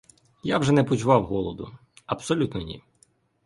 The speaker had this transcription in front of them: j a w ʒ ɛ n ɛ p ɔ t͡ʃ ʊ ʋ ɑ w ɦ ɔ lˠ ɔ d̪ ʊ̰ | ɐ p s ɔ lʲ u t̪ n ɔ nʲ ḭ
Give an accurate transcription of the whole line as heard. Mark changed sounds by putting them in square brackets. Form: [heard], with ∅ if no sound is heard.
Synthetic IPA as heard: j a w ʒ ɛ n ɛ p ɔ t͡ʃ ʊ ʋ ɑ w ɦ ɔ lˠ ɔ d̪ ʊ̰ | ɐ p s ɔ lʲ u t̪ n ɔ nʲ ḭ